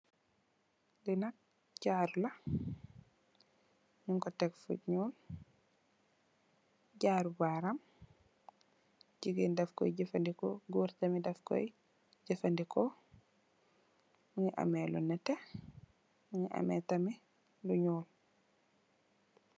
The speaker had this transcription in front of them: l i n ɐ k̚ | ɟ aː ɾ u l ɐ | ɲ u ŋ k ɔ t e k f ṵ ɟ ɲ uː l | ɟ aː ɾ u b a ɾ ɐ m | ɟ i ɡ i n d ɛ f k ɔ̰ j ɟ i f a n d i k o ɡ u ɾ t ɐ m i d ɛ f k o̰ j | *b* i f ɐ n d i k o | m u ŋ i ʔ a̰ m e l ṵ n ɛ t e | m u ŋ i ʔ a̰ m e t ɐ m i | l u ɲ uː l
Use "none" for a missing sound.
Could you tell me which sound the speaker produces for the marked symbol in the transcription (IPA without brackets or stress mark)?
ɟ